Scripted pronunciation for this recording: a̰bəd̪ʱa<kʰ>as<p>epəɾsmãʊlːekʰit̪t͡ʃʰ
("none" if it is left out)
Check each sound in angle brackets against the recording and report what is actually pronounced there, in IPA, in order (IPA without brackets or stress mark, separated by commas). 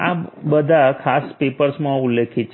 kʰ, p